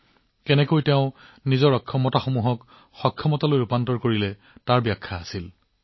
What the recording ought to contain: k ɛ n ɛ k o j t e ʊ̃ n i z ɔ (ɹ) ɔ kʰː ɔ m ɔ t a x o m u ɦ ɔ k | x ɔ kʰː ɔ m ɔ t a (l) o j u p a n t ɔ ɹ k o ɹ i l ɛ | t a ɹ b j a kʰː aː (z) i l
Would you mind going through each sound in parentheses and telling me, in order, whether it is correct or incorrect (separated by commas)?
correct, correct, incorrect